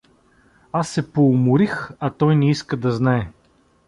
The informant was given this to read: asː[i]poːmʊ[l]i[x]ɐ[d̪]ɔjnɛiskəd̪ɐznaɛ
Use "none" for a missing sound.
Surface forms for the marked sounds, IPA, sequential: ɛ, ɾ, x, t̪

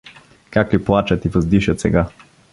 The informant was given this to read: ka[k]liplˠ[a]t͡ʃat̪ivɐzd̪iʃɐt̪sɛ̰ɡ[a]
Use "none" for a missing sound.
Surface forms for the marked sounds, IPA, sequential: k, a, a

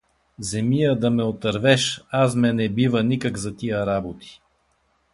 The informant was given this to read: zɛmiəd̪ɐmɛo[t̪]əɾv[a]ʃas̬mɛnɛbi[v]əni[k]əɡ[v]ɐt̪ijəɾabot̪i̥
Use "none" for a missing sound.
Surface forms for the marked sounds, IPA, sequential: t̪, ɛ, v, k, z

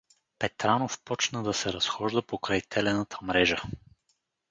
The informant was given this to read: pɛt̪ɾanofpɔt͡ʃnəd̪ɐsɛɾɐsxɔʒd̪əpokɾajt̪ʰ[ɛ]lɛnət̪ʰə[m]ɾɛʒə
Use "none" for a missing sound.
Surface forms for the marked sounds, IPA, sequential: ɛ, m

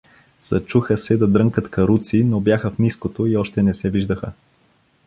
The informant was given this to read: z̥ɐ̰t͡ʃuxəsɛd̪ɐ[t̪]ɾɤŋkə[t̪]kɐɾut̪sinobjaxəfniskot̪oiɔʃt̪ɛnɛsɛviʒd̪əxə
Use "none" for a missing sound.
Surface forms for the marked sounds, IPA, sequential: d̪, t̪

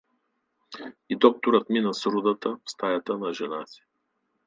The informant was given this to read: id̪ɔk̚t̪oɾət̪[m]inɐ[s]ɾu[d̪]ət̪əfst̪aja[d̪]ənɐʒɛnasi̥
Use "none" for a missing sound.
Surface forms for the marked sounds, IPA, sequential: m, s, d̪, t̪

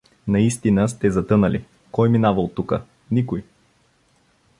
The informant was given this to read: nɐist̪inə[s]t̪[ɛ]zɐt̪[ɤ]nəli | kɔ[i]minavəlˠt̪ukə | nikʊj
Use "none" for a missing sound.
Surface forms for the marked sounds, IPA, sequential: s, ɛ, ɤ, j

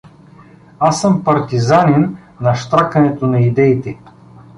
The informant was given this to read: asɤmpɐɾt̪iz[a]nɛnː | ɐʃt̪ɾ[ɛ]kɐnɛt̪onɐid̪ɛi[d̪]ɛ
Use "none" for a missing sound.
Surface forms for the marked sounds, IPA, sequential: a, a, t̪

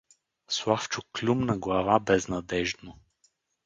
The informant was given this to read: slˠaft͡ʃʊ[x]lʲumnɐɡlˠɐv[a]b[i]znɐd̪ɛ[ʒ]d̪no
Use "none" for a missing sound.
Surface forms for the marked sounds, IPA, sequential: k, a, ɛ, ʒ

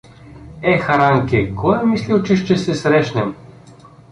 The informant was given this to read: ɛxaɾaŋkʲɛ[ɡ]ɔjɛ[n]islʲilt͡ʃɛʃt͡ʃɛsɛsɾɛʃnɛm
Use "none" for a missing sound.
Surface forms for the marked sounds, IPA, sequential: k, m

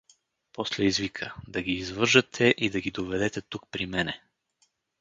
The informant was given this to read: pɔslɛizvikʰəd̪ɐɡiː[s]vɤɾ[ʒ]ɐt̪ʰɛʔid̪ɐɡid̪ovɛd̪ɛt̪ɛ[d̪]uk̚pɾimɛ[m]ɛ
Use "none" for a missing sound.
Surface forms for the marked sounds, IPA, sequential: z, ʒ, t̪, n

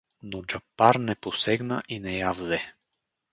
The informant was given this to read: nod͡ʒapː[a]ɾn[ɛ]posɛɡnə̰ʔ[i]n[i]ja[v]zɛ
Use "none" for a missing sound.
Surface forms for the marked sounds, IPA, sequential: a, ɛ, i, ɛ, v

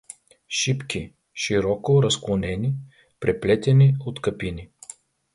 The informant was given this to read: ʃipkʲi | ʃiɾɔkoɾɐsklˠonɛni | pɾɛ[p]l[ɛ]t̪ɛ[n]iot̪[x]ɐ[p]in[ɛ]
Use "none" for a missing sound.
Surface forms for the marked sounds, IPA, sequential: p, ɛ, n, k, p, i

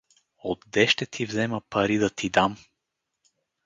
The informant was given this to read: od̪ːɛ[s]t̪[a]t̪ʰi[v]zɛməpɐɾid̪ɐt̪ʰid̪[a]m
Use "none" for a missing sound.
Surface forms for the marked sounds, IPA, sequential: ʃ, ɛ, v, a

